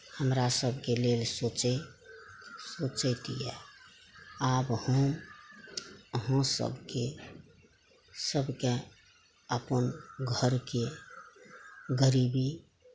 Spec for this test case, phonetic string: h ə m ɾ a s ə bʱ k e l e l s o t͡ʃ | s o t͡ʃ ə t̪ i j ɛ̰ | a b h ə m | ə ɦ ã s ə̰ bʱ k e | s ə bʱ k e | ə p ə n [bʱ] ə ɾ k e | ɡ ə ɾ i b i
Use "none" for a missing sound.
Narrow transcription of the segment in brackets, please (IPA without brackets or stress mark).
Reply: ɡʱ